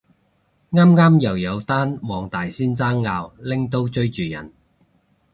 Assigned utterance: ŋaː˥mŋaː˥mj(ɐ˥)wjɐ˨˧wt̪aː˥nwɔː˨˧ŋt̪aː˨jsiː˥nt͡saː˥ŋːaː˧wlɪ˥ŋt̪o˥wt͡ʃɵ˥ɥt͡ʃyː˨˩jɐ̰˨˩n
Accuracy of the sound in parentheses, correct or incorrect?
incorrect